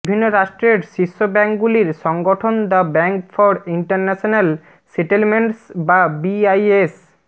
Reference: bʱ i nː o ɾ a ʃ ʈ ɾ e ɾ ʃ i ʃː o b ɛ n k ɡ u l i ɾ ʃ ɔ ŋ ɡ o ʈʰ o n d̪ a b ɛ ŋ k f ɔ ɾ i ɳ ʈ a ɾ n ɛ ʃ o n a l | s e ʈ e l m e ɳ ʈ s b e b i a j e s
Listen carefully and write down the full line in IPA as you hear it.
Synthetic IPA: bʱ i nː o ɾ a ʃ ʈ ɾ e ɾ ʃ i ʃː o b ɛ ŋ k ɡ u l i ɾ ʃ ɔ ŋ ɡ o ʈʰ o n d̪ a b ɛ ŋ k f ɔ ɾ i ɳ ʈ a ɾ n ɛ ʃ o n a l | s e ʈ e l m e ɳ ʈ s b a b i a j e s